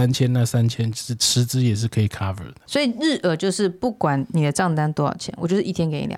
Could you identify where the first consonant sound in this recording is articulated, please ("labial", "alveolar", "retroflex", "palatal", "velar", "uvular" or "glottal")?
alveolar